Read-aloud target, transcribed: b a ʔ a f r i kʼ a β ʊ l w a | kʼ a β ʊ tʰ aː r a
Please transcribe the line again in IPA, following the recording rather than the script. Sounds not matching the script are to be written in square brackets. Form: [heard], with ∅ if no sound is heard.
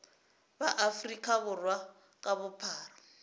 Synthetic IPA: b a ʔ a f r i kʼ a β ʊ [r] w a | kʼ a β ʊ [pʰ] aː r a

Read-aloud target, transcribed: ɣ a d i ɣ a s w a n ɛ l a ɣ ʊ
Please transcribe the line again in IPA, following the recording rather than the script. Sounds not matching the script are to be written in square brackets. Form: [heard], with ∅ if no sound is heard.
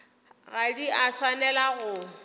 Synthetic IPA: ɣ a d i [∅] a s w a n ɛ l a ɣ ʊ

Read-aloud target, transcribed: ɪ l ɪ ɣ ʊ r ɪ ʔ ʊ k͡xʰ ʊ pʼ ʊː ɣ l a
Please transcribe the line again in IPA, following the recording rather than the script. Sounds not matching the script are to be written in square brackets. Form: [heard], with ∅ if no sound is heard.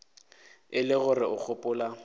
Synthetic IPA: ɪ l ɪ ɣ ʊ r ɪ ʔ ʊ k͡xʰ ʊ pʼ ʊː [∅] l a

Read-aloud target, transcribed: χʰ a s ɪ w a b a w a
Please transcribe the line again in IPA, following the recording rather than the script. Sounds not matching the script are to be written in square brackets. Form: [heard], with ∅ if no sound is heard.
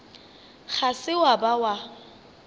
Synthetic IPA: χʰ a s ɪ w a b a w a

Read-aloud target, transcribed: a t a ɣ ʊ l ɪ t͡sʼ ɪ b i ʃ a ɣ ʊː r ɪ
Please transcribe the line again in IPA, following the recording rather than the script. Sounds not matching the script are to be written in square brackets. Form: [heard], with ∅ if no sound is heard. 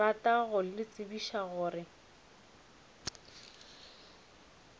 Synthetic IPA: a t a ɣ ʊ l ɪ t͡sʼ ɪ b i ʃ a ɣ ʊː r ɪ

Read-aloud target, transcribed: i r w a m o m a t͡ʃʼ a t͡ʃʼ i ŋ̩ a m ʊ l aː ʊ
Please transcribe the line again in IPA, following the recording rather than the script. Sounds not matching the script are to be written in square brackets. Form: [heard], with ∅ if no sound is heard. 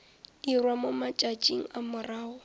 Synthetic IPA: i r w a m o m a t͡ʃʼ a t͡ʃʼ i ŋ̩ a m ʊ [r] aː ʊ

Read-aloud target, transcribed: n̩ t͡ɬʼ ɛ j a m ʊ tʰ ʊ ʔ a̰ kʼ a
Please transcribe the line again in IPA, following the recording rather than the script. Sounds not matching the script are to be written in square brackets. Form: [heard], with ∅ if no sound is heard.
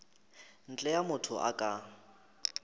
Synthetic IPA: n̩ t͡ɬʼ ɛ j a m ʊ tʰ ʊ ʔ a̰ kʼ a

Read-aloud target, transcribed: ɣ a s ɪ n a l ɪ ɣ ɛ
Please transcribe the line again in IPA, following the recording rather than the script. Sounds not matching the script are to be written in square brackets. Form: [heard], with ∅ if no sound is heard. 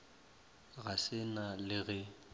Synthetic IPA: ɣ a s ɪ n a l ɪ ɣ ɛ

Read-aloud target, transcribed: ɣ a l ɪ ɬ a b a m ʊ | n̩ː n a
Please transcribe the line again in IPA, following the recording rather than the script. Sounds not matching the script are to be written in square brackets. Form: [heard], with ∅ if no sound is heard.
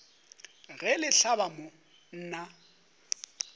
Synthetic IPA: ɣ [ɛ] l ɪ ɬ a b a m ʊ | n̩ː n a

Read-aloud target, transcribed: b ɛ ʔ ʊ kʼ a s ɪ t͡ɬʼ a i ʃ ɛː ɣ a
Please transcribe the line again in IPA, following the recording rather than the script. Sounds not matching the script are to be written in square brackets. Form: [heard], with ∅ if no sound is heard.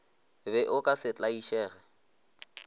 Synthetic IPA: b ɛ ʔ ʊ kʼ a s ɪ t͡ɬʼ a i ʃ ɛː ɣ [ɛ]

